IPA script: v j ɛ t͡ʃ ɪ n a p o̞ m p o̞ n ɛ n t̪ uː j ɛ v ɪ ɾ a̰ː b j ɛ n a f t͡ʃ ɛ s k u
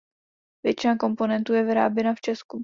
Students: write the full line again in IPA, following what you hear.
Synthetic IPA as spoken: v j ɛ t͡ʃ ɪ n a k o̞ m p o̞ n ɛ n t̪ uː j ɛ v ɪ ɾ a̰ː b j ɛ n a f t͡ʃ ɛ s k u